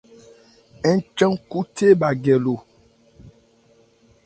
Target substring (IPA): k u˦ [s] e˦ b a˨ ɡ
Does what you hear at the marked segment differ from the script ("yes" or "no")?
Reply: yes